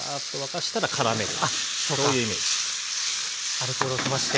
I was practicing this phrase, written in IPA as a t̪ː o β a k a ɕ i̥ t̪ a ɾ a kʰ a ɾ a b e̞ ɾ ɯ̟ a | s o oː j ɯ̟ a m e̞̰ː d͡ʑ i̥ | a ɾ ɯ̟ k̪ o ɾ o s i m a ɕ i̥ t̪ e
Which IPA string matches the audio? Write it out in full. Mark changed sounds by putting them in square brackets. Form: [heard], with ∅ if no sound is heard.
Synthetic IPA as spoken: a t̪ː o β a k a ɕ i̥ t̪ a ɾ a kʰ a ɾ a [m] e̞ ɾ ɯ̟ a | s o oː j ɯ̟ [i] m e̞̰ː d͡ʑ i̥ | a ɾ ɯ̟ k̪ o ɾ o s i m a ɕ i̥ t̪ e